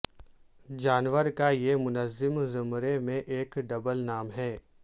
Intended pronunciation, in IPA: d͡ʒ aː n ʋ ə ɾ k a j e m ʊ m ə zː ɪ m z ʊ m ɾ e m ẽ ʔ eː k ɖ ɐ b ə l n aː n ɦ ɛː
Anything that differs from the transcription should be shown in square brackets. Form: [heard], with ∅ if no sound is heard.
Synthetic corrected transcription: d͡ʒ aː n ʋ ə ɾ k a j e m ʊ [n] ə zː ɪ m z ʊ m ɾ e m ẽ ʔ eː k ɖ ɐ b ə l n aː [m] ɦ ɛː